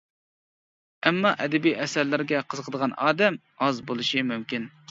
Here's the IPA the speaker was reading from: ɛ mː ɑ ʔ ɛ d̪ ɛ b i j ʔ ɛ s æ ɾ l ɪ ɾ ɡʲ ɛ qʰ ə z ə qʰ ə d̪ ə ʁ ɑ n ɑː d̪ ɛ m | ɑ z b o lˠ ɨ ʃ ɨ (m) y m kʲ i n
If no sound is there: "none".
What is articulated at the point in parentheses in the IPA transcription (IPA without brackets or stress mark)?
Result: m